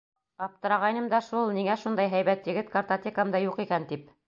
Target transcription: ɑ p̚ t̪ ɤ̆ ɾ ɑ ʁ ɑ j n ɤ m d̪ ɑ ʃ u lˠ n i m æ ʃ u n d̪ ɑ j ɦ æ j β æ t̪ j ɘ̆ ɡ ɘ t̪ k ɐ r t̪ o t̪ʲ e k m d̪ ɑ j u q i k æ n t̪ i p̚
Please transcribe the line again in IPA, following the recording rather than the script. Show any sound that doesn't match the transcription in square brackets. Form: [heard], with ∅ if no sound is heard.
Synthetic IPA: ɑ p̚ t̪ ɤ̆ ɾ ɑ ʁ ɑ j n ɤ m d̪ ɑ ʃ u lˠ n i [ŋ] æ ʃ u n d̪ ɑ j ɦ æ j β æ t̪ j ɘ̆ ɡ ɘ t̪ k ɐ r t̪ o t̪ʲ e k m d̪ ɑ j u q i k æ n t̪ i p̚